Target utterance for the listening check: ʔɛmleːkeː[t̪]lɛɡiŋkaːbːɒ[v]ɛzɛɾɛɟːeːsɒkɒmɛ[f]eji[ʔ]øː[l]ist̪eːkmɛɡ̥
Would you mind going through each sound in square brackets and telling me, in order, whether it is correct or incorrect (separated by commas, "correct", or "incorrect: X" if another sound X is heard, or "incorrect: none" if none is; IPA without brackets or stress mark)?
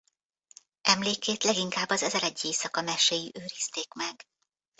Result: correct, incorrect: z, incorrect: ʃ, correct, incorrect: ɾ